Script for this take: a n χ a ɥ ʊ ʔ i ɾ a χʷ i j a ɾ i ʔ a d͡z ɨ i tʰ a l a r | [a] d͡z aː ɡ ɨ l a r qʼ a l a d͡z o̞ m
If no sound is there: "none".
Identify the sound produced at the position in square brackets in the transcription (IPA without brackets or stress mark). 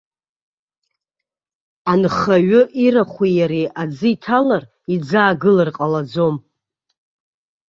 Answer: i